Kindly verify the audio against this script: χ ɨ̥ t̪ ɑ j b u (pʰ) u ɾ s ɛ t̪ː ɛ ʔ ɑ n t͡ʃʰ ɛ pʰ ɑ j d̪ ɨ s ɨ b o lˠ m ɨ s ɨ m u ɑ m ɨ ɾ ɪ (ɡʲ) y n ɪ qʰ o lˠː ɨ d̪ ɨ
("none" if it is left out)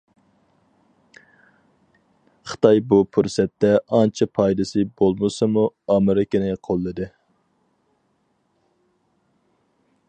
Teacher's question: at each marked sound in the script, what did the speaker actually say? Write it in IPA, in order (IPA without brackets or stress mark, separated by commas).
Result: pʰ, kʲ